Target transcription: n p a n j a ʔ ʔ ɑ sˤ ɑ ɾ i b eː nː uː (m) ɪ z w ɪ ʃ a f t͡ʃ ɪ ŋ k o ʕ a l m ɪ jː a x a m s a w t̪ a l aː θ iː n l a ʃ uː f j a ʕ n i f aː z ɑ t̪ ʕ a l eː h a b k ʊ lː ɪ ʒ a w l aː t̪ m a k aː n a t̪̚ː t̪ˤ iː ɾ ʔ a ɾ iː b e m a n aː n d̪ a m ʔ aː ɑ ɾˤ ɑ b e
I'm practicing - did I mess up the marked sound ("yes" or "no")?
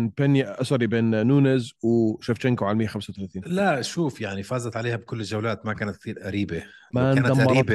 yes